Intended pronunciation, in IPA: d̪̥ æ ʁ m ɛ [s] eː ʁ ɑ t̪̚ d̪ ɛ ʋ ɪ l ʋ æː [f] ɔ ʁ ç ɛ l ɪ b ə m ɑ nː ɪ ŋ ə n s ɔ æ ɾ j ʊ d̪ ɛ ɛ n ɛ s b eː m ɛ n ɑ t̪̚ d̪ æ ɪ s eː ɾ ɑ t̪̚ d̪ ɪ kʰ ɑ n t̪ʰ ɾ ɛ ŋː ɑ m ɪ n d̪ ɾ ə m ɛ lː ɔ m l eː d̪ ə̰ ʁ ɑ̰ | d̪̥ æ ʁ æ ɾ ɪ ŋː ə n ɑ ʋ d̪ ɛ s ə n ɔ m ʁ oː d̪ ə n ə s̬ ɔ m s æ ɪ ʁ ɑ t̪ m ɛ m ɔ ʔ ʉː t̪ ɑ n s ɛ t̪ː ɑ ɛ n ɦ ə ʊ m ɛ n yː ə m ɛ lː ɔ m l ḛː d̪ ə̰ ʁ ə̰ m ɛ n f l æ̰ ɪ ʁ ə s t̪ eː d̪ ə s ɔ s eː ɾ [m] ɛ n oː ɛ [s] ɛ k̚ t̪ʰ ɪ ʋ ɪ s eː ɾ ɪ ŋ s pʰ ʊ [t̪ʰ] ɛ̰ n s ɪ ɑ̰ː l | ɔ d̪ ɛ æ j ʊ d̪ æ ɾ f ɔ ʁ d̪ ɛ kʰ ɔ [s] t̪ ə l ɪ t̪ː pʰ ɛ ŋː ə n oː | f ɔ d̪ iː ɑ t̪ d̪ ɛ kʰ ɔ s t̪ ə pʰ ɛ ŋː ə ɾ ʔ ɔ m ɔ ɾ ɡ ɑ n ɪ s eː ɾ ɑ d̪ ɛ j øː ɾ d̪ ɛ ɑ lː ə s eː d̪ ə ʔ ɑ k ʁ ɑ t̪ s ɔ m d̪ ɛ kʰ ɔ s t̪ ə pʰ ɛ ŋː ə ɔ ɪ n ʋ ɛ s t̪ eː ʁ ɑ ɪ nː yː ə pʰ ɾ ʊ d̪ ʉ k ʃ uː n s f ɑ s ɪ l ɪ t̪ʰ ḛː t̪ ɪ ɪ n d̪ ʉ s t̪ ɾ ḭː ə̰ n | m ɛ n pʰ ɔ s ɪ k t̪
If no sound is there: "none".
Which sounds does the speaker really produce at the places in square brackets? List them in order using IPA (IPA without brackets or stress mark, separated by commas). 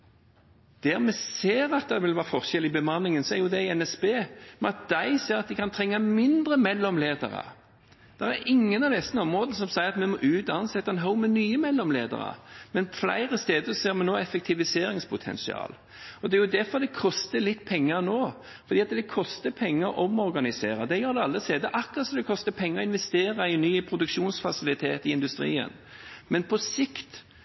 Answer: s, f, m, f, t̪ʰ, s